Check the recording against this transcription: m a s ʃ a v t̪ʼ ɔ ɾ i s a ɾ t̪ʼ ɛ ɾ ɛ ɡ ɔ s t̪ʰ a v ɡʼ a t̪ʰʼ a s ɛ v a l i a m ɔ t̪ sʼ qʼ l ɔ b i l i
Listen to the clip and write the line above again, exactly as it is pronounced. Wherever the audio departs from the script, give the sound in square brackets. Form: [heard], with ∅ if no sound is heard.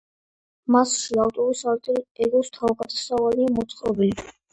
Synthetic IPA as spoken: m a s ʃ a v t̪ʼ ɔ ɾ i s a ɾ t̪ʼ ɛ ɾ ɛ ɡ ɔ s t̪ʰ a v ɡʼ a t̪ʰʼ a s [a] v a l i a m ɔ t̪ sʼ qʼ [ɾ] ɔ b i l i